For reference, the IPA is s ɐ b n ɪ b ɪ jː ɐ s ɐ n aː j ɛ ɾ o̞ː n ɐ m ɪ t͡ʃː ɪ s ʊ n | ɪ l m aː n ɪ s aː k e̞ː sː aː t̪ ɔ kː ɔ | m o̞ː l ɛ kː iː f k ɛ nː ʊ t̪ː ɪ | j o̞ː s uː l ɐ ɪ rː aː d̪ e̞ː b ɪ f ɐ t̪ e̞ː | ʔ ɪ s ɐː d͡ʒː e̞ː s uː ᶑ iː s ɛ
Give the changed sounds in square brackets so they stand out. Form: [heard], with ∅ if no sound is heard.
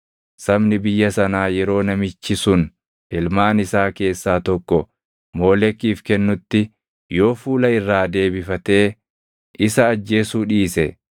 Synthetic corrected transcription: s ɐ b n ɪ b ɪ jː ɐ s ɐ n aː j ɛ ɾ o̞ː n ɐ m ɪ t͡ʃː ɪ s ʊ n | ɪ l m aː n ɪ s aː k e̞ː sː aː t̪ ɔ kː ɔ | m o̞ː l ɛ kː iː f k ɛ nː ʊ t̪ː ɪ | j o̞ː [f] uː l ɐ ɪ rː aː d̪ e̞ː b ɪ f ɐ t̪ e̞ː | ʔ ɪ s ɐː d͡ʒː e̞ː s uː ᶑ iː s ɛ